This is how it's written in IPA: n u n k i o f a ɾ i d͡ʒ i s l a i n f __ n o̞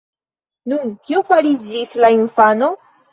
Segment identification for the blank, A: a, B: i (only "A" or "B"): A